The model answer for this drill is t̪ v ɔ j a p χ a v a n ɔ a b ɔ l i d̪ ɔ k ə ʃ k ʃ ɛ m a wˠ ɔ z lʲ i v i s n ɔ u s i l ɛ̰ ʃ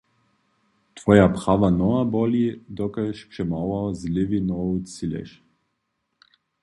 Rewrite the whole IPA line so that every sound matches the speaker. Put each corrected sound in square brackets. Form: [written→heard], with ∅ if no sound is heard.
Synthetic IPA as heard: t̪ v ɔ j a p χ a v a n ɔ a b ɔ l i d̪ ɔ k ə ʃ [k→p] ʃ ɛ m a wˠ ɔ z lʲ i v i [s→∅] n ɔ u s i l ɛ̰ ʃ